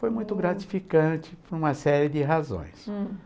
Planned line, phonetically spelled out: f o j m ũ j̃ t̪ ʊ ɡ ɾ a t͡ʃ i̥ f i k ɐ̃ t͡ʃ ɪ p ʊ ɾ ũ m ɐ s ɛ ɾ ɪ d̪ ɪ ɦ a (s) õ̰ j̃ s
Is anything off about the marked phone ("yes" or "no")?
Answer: yes